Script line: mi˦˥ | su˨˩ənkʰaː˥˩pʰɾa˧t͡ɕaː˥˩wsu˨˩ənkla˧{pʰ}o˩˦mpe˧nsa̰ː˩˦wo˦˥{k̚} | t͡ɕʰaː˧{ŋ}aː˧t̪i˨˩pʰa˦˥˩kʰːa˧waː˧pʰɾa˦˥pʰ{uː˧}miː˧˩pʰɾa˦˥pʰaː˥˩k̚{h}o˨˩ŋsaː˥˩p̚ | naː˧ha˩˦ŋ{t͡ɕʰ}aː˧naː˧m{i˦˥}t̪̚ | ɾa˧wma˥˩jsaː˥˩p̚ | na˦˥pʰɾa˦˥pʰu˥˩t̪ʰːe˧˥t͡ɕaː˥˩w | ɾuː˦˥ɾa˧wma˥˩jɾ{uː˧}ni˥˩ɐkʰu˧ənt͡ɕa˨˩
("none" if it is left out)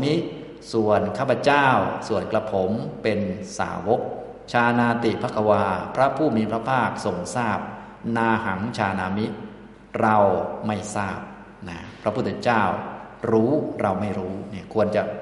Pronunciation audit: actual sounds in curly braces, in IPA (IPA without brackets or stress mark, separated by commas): pʰ, k̚, n, uː˥˩, s, t͡ɕʰ, i˦˥, uː˦˥